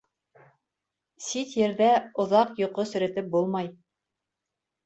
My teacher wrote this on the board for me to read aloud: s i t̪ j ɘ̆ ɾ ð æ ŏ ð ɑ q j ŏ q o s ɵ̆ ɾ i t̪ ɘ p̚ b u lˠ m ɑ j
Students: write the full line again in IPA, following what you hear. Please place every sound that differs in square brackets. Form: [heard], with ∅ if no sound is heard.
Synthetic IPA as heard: s i t̪ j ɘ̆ ɾ ð æ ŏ ð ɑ q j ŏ q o s ɵ̆ ɾ [æ] t̪ ɘ p̚ b u lˠ m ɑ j